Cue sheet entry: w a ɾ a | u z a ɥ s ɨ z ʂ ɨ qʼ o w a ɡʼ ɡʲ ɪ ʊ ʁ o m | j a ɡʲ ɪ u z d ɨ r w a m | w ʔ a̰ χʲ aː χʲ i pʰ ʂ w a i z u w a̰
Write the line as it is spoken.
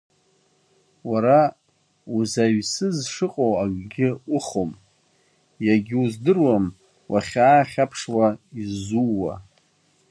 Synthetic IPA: w a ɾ a | u z a ɥ s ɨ z ʂ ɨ qʼ o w a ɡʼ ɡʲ ɪ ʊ χ o m | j a ɡʲ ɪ u z d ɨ r w a m | w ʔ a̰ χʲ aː χʲ a pʰ ʂ w a i z u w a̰